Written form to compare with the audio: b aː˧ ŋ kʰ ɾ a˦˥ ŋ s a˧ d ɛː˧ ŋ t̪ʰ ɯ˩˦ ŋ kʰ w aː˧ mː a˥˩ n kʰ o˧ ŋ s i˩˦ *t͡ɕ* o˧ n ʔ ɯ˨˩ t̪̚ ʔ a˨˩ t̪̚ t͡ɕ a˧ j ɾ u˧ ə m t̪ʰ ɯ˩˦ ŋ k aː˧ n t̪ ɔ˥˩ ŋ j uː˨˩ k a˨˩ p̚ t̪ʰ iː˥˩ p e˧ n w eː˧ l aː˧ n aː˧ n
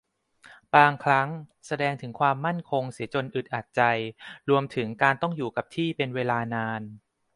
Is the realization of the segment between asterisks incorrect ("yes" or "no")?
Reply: no